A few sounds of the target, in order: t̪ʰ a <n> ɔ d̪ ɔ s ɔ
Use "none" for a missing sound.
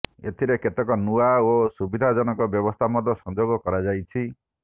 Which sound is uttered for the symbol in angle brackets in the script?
m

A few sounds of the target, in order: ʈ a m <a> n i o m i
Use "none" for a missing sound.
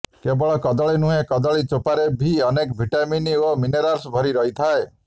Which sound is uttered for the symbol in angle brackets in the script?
i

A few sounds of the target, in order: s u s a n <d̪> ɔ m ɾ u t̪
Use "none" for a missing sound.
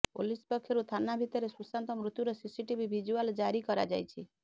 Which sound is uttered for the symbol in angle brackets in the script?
t̪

